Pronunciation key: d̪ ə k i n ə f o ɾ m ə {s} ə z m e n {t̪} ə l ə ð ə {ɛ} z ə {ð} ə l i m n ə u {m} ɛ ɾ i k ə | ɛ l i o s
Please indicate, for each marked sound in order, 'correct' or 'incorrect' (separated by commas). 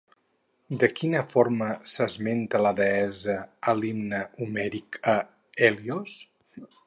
correct, correct, correct, incorrect, correct